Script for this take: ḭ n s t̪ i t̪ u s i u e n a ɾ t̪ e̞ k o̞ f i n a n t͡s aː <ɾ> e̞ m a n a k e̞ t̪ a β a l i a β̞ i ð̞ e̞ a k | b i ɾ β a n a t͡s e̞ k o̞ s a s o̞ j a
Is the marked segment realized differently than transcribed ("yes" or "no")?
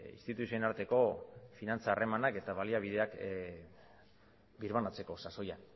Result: yes